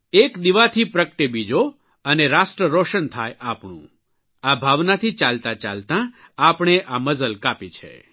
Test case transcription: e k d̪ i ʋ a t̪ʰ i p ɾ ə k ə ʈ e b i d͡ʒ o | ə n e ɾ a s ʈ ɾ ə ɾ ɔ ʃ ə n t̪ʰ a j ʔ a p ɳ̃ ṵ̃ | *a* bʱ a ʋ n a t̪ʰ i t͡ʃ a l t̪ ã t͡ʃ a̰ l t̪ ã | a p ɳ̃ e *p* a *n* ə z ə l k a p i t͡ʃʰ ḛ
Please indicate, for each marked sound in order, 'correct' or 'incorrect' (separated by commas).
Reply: correct, incorrect, incorrect